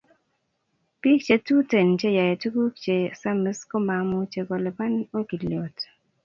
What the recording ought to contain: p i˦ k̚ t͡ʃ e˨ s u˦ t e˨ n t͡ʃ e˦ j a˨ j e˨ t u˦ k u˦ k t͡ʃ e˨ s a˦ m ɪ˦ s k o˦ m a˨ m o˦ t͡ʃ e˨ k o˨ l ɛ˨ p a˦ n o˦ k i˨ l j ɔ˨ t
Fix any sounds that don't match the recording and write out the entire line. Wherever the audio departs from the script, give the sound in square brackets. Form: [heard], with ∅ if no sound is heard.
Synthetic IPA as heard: p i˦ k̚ t͡ʃ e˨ [t] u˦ t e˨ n t͡ʃ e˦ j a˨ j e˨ t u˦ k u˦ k t͡ʃ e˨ s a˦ m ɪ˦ s k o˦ m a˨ m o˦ t͡ʃ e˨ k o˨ l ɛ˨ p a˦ n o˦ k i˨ l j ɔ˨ t